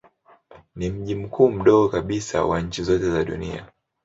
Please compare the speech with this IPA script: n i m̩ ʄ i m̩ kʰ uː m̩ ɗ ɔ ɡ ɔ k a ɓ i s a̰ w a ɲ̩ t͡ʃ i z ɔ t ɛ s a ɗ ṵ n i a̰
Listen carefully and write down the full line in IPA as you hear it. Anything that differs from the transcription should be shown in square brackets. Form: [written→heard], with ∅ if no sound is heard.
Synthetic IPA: n i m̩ ʄ i m̩ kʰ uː m̩ ɗ ɔ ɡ ɔ k a ɓ i s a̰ w a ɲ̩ t͡ʃ i z ɔ t ɛ [s→z] a ɗ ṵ n i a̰